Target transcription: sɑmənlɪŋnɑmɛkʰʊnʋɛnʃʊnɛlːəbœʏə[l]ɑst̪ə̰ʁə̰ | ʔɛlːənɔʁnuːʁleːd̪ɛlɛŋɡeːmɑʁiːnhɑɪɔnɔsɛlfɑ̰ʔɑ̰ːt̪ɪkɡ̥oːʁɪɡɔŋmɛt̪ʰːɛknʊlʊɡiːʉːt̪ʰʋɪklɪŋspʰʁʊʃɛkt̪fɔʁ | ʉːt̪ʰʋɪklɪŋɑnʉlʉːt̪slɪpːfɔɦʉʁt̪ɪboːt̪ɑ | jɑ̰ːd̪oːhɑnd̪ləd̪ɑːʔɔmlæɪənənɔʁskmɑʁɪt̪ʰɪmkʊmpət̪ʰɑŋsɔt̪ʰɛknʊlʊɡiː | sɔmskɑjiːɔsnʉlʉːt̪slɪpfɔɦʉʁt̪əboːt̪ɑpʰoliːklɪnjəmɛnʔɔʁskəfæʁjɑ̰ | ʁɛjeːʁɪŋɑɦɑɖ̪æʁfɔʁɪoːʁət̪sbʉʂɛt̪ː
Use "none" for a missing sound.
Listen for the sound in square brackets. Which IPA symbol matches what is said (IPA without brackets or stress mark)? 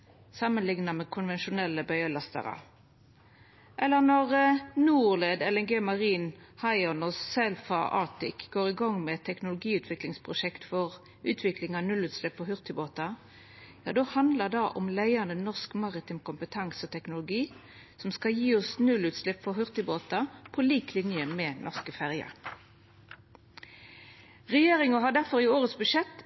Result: l